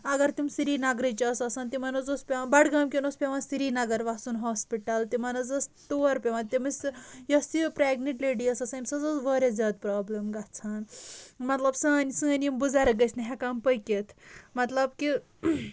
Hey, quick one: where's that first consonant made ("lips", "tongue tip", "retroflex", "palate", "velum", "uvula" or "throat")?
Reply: velum